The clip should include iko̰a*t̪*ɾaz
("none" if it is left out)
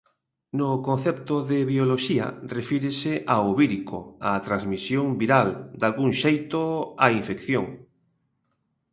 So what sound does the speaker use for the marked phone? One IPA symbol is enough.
t̪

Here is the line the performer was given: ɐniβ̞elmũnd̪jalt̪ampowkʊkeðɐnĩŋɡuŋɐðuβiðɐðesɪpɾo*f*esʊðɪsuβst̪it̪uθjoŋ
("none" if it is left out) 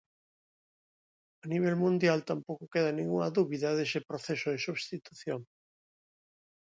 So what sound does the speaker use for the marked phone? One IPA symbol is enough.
θ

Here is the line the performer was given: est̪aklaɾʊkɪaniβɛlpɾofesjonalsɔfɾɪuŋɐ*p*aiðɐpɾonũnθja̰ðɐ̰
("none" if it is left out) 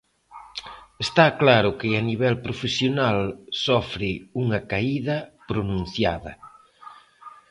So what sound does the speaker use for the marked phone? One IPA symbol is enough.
k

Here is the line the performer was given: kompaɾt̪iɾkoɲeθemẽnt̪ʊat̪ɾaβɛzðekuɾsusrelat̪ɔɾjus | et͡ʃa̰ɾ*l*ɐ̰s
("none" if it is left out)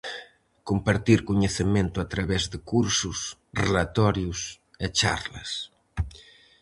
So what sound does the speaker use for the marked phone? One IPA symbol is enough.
l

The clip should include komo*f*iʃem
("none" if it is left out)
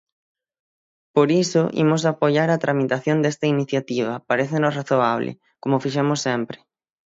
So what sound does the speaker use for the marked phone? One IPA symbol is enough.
f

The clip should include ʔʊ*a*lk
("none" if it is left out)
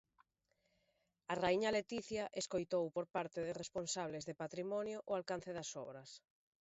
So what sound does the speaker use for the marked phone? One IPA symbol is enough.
a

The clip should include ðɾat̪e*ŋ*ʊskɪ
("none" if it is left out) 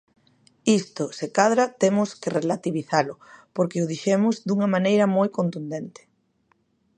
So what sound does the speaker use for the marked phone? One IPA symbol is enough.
m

